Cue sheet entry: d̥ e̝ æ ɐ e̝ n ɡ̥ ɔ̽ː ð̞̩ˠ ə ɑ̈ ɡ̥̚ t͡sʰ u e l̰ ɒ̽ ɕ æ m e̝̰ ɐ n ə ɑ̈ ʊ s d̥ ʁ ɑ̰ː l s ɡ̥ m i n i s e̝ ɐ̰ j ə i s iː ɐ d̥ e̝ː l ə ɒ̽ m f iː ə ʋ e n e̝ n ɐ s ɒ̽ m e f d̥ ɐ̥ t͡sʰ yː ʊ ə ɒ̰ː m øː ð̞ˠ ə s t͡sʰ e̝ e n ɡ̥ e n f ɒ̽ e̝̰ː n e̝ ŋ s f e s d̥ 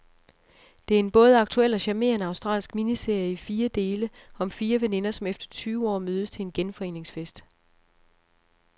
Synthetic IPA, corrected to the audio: d̥ e̝ æ ɐ e̝ n b̥ ɔ̽ː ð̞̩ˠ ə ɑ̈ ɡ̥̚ t͡sʰ u e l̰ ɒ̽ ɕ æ m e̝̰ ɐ n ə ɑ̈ ʊ s d̥ ʁ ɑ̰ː l s ɡ̥ m i n i s e̝ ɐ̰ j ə i f iː ɐ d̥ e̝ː l ə ɒ̽ m f iː ɐ ʋ e n e̝ n ɐ s ɒ̽ m e f d̥ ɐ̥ t͡sʰ yː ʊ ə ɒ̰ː m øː ð̞ˠ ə s t͡sʰ e̝ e n ɡ̥ e n f ɒ̽ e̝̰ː n e̝ ŋ s f e s d̥